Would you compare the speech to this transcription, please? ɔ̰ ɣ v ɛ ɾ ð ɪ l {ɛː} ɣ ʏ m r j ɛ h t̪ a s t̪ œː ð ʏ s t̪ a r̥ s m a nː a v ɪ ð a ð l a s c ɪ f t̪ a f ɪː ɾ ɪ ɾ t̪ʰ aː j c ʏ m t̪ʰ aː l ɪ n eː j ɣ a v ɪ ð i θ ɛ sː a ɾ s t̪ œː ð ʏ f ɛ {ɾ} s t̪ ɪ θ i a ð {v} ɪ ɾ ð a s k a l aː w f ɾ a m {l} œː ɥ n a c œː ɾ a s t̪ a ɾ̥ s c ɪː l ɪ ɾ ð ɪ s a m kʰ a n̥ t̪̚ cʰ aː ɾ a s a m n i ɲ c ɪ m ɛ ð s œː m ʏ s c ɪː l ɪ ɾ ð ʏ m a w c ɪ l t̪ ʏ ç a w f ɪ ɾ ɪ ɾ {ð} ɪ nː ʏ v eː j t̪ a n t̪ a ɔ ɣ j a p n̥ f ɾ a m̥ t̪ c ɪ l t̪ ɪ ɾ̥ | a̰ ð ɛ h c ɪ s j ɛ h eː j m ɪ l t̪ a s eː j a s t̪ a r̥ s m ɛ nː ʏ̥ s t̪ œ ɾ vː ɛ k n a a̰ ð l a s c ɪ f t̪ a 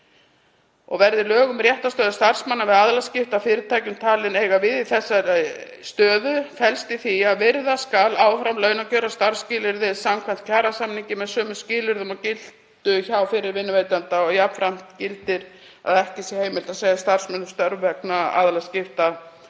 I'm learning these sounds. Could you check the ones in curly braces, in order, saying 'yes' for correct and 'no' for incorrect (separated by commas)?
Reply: no, no, yes, yes, no